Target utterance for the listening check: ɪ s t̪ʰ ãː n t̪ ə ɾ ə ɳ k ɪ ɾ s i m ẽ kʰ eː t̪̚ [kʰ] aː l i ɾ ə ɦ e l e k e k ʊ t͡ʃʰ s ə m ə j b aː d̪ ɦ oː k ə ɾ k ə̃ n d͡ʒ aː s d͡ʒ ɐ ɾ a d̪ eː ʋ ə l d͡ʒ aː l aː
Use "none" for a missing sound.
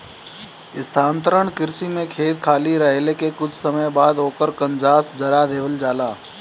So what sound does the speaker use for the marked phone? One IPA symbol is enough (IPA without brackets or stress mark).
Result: kʰ